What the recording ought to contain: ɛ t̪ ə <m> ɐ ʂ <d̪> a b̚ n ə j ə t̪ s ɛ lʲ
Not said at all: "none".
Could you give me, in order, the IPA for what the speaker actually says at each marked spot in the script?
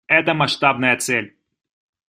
m, t̪

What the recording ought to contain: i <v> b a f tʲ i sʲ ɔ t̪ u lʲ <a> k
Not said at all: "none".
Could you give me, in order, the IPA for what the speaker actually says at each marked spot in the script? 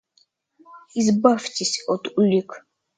z, i

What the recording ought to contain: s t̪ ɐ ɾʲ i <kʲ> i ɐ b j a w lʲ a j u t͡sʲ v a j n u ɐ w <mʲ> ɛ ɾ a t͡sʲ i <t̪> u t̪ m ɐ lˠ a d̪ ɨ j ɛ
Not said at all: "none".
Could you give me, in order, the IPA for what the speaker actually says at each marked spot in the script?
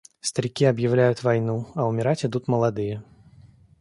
kʲ, mʲ, d̪

